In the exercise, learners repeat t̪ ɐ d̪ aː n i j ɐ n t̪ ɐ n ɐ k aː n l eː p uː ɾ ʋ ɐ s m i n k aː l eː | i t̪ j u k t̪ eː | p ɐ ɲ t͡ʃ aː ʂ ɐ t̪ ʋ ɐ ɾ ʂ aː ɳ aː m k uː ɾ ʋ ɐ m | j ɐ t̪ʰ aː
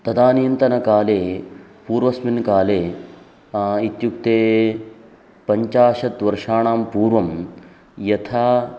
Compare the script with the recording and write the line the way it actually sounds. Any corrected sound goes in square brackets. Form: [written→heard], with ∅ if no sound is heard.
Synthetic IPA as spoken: t̪ ɐ d̪ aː n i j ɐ n t̪ ɐ n ɐ k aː [n→∅] l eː p uː ɾ ʋ ɐ s m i n k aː l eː | i t̪ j u k t̪ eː | p ɐ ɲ t͡ʃ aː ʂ ɐ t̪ ʋ ɐ ɾ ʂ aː ɳ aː m [k→p] uː ɾ ʋ ɐ m | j ɐ t̪ʰ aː